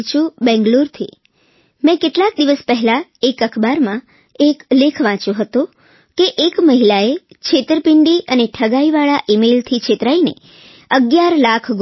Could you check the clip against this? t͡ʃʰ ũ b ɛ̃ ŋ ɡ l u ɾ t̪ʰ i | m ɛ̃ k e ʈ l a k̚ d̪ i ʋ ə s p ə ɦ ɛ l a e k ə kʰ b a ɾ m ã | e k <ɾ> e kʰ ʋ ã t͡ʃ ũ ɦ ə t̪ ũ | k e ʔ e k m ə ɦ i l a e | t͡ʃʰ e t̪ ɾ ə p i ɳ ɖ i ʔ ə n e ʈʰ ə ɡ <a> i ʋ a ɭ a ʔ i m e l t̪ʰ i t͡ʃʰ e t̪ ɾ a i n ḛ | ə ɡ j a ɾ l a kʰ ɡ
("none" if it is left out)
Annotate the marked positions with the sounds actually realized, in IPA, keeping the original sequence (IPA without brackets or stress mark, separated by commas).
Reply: l, a